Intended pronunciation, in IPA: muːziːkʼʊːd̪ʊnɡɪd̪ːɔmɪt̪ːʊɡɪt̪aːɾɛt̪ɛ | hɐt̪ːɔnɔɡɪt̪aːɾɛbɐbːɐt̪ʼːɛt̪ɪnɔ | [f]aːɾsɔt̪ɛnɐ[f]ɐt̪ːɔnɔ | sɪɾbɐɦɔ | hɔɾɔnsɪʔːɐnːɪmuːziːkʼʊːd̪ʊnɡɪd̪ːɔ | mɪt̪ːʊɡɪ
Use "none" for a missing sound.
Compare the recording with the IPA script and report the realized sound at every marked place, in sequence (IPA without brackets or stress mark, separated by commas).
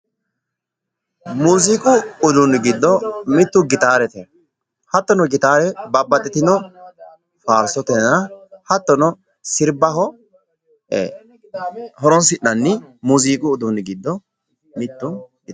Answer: f, h